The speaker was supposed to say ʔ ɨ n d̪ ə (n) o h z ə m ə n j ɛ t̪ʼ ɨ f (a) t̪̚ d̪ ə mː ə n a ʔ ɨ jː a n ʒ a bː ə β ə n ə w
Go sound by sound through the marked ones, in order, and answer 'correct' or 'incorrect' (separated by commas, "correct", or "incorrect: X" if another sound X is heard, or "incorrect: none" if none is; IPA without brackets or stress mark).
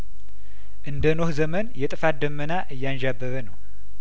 correct, correct